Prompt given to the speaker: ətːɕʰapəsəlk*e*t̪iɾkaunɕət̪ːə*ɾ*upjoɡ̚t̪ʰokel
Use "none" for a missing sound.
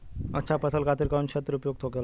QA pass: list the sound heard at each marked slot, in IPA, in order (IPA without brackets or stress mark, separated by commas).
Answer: a, ɾ